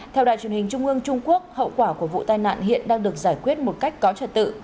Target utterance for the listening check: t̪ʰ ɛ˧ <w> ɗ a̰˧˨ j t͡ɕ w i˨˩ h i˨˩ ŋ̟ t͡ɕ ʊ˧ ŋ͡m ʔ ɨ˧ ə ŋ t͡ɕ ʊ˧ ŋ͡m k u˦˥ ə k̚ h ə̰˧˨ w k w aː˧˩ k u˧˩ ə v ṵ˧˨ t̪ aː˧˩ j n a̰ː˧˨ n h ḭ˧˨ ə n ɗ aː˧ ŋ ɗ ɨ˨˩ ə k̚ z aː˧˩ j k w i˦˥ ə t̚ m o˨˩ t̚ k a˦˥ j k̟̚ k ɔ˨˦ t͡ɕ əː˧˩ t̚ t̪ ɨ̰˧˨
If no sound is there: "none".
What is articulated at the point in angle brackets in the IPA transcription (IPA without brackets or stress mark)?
w